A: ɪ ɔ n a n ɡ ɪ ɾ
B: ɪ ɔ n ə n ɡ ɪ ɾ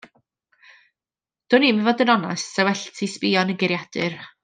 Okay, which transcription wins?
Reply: B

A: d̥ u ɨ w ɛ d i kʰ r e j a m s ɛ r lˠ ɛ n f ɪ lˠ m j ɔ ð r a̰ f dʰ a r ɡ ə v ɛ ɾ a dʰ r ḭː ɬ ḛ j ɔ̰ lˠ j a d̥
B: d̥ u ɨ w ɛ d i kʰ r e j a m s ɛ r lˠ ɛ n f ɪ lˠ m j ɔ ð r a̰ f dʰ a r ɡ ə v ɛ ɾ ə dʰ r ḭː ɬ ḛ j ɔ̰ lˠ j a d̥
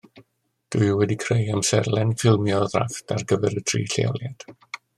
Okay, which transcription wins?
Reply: B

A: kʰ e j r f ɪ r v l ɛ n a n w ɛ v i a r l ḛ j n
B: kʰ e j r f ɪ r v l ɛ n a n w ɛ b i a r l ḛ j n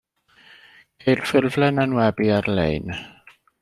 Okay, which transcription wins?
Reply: B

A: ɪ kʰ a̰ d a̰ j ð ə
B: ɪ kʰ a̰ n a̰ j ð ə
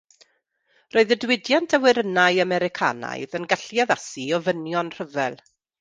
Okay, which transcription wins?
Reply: B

